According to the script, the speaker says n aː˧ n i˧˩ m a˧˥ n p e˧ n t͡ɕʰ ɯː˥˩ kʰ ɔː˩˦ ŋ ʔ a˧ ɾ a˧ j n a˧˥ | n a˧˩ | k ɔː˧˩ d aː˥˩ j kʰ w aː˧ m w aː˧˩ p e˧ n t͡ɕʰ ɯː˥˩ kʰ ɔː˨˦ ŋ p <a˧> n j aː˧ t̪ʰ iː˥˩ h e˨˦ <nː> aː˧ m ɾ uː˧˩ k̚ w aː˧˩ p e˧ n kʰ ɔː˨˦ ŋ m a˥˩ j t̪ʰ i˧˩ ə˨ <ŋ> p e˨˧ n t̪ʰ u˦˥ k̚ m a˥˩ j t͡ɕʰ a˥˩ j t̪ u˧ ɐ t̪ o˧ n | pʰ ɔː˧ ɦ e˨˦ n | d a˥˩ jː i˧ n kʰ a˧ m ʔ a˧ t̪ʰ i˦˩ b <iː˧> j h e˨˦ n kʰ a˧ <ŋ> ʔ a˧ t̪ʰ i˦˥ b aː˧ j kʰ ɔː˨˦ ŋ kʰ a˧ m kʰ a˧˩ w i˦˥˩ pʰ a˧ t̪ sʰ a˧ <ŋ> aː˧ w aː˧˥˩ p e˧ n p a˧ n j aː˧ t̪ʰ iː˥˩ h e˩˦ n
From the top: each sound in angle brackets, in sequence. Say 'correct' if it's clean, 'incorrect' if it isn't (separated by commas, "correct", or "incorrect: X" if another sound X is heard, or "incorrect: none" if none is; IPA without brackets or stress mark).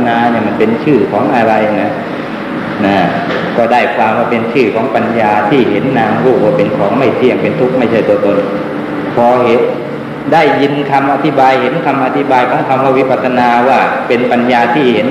correct, correct, correct, incorrect: aː˧, incorrect: m, incorrect: n